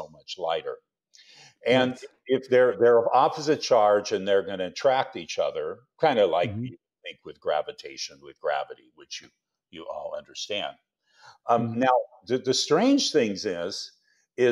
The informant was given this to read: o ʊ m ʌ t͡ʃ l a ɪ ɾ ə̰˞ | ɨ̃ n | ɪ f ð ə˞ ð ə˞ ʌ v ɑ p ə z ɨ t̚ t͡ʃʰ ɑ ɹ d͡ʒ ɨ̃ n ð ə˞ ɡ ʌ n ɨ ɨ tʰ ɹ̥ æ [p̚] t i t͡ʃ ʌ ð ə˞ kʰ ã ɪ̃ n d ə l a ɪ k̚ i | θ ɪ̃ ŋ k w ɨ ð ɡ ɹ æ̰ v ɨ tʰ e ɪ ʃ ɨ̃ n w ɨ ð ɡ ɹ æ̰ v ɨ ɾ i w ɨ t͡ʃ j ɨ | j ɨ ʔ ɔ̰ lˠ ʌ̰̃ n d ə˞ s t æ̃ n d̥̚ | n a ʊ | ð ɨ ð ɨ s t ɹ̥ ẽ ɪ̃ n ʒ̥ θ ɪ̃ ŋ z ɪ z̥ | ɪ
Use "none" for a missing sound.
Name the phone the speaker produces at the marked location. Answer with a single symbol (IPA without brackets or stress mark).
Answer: k̚